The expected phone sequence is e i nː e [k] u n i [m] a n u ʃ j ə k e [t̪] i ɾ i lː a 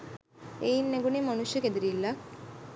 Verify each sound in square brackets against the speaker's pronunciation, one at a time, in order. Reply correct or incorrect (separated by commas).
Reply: incorrect, correct, incorrect